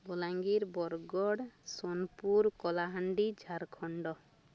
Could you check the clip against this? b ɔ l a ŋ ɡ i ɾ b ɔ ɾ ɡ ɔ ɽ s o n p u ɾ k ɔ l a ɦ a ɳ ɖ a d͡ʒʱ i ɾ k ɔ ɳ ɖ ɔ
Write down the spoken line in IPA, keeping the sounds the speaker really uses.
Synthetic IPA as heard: b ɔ l a ŋ ɡ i ɾ b ɔ ɾ ɡ ɔ ɽ s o n p u ɾ k ɔ l a ɦ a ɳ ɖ i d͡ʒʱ a ɾ kʰ ɔ ɳ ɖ ɔ